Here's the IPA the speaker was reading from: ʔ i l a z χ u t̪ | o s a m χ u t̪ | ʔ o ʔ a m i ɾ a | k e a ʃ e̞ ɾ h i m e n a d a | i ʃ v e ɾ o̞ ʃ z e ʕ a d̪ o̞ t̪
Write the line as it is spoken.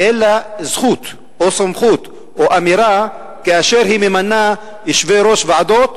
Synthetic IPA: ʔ e l a z χ u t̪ | o s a m χ u t̪ | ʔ o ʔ a m i ɾ a | k e a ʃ e̞ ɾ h i m e m a n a | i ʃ v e ɾ o̞ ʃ v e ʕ a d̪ o̞ t̪